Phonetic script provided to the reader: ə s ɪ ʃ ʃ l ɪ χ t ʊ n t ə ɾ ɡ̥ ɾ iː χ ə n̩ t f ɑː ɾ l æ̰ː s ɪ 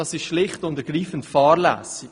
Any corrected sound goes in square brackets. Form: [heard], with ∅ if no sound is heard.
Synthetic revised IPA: [ɑ] s ɪ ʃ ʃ l ɪ χ t ʊ n t ə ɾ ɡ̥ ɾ iː [f] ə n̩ t f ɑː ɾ l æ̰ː s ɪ